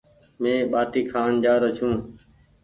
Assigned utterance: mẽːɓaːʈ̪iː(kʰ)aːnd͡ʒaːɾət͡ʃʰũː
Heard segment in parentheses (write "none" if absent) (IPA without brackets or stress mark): kʰ